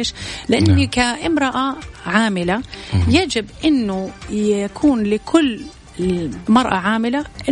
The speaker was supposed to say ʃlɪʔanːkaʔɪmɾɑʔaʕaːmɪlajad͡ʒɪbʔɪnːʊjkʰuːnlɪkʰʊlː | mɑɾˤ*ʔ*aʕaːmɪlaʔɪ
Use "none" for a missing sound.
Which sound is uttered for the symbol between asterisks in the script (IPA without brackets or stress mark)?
ʔ